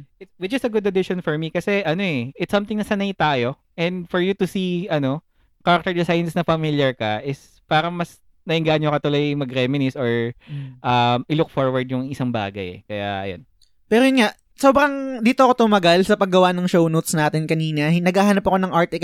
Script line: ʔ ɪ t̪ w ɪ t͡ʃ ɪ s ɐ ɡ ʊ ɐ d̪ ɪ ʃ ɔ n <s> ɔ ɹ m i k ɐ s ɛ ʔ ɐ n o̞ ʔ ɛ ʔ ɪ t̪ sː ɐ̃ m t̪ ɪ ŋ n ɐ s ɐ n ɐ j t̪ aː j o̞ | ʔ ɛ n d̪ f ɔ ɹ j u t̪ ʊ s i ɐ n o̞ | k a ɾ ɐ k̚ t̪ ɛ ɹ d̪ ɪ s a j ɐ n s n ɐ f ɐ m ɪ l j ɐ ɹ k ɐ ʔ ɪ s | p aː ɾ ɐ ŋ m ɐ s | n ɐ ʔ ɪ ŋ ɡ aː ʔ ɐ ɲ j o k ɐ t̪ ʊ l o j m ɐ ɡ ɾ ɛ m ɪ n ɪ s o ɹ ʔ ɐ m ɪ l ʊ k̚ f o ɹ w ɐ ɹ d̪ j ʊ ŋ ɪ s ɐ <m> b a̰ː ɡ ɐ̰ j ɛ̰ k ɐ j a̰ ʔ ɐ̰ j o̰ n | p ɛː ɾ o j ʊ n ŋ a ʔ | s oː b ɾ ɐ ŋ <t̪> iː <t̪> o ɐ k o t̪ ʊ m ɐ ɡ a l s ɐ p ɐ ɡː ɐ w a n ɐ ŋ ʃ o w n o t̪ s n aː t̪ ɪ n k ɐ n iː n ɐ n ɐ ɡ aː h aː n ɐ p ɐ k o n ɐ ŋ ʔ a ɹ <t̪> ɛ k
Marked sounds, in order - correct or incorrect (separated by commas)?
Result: incorrect, incorrect, incorrect, correct, correct